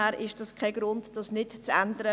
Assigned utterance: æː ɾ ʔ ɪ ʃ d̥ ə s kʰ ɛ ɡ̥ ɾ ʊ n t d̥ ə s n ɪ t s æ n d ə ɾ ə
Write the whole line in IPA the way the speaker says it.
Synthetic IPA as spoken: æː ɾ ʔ ɪ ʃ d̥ ɑ s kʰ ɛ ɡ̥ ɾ ʊ n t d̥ ɑ s n ɪ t t͡s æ n d ə ɾ ə